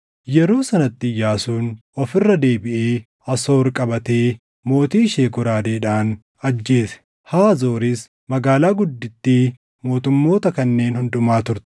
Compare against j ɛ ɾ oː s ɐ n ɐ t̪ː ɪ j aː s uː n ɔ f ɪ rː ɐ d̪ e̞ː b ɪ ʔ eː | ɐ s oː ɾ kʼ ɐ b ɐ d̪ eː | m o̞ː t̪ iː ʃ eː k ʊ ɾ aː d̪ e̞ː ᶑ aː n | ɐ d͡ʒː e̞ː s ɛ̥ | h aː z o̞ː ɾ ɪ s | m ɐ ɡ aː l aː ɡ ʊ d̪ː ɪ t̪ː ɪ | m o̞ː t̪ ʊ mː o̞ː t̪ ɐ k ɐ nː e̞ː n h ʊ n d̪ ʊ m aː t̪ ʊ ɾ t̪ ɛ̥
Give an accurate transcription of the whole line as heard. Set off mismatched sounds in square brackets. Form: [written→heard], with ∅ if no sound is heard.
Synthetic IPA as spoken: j ɛ ɾ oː s ɐ n ɐ t̪ː ɪ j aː s uː n ɔ f ɪ rː ɐ d̪ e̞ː b ɪ ʔ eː | ɐ s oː ɾ kʼ ɐ b ɐ [d̪→t̪] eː | m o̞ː t̪ iː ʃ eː k ʊ ɾ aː d̪ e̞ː ᶑ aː n | ɐ d͡ʒː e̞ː s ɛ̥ | h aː z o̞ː ɾ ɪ s | m ɐ ɡ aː l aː ɡ ʊ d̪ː ɪ t̪ː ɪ | m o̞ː t̪ ʊ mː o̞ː t̪ ɐ k ɐ nː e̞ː n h ʊ n d̪ ʊ m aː t̪ ʊ ɾ t̪ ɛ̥

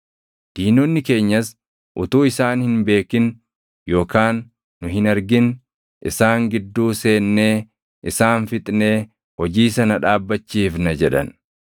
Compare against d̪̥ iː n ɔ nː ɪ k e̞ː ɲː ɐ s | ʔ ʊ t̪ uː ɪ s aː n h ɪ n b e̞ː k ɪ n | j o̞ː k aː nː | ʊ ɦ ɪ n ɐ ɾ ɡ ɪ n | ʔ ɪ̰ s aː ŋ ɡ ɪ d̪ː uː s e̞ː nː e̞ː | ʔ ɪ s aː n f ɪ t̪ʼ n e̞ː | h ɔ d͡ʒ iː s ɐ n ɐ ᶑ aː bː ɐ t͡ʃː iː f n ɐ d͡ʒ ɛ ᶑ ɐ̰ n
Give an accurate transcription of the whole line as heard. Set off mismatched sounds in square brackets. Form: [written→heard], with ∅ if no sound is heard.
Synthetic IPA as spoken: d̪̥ iː n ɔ nː ɪ k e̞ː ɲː ɐ s | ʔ ʊ t̪ uː ɪ s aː n h ɪ n b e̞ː k ɪ n | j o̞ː k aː nː | ʊ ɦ ɪ n ɐ ɾ ɡ ɪ n | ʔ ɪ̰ s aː ŋ ɡ ɪ d̪ː uː s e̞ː nː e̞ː | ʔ ɪ s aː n f ɪ t̪ʼ n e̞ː | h ɔ d͡ʒ iː s ɐ n ɐ ᶑ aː bː ɐ t͡ʃː iː f n ɐ d͡ʒ ɛ ᶑ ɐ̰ n

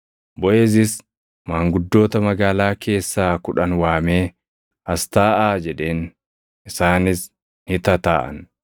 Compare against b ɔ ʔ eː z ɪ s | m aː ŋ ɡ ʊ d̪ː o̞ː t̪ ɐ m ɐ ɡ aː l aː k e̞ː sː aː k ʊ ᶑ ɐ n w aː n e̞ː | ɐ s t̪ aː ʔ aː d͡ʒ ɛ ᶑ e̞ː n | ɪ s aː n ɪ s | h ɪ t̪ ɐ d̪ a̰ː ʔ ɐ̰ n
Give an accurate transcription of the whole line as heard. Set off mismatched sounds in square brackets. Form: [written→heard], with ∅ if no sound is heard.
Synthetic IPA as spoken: b ɔ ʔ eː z ɪ s | m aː ŋ ɡ ʊ d̪ː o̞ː t̪ ɐ m ɐ ɡ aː l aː k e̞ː sː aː k ʊ ᶑ ɐ n w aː [n→m] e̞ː | ɐ s t̪ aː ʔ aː d͡ʒ ɛ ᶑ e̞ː n | ɪ s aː n ɪ s | h ɪ t̪ ɐ [d̪→t̪] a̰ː ʔ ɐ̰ n

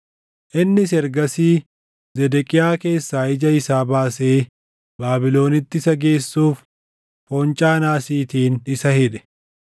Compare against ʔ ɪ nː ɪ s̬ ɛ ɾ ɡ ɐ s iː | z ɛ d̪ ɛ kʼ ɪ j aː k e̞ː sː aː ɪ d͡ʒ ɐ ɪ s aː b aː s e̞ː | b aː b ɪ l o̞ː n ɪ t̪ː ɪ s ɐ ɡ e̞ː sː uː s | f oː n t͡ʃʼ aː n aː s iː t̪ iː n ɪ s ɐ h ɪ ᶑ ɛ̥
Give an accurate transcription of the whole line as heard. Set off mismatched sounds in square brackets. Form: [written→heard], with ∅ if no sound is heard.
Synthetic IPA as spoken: ʔ ɪ nː ɪ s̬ ɛ ɾ ɡ ɐ s iː | z ɛ d̪ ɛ kʼ ɪ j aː k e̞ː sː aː ɪ d͡ʒ ɐ ɪ s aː b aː s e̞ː | b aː b ɪ l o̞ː n ɪ t̪ː ɪ s ɐ ɡ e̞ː sː uː [s→f] | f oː n t͡ʃʼ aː n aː s iː t̪ iː n ɪ s ɐ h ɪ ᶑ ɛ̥

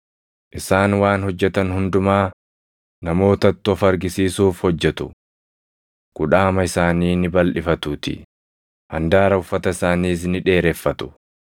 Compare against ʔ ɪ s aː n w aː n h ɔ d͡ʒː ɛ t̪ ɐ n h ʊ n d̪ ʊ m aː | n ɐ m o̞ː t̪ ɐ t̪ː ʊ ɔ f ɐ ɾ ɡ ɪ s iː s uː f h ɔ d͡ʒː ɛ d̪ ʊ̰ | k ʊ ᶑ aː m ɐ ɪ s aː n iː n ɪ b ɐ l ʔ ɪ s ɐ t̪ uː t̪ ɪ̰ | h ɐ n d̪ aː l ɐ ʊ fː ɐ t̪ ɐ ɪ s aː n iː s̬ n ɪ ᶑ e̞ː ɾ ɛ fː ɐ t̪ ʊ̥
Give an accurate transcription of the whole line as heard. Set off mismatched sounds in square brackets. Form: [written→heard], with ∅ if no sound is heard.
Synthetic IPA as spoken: ʔ ɪ s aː n w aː n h ɔ d͡ʒː ɛ t̪ ɐ n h ʊ n d̪ ʊ m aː | n ɐ m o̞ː t̪ ɐ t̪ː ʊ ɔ f ɐ ɾ ɡ ɪ s iː s uː f h ɔ d͡ʒː ɛ [d̪→t̪] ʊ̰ | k ʊ ᶑ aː m ɐ ɪ s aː n iː n ɪ b ɐ l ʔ ɪ [s→f] ɐ t̪ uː t̪ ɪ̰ | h ɐ n d̪ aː [l→ɾ] ɐ ʊ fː ɐ t̪ ɐ ɪ s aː n iː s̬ n ɪ ᶑ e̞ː ɾ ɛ fː ɐ t̪ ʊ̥

